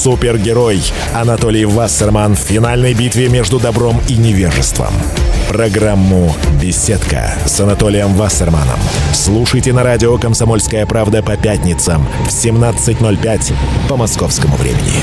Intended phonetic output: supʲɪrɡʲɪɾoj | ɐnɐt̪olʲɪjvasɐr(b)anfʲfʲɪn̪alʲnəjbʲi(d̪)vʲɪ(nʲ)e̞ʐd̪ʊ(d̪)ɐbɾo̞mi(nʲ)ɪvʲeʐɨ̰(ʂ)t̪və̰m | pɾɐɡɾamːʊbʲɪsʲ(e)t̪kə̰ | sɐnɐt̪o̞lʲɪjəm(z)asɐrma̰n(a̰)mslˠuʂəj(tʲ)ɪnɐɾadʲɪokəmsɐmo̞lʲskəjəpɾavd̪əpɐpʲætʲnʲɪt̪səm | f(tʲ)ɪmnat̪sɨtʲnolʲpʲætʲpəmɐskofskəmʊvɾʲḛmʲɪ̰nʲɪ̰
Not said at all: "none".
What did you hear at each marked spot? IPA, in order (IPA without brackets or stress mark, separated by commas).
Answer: m, t̪, mʲ, d̪, nʲ, s, e, v, ə̰, tʲ, sʲ